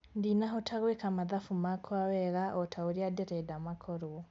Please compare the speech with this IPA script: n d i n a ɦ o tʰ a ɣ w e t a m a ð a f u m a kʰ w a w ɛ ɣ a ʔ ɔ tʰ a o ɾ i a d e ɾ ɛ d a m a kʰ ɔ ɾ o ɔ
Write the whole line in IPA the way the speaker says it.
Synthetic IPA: n d i n a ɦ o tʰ a ɣ w e k a m a ð a f u m a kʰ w a w ɛ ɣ a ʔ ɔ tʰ a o ɾ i a d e ɾ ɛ d a m a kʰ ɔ ɾ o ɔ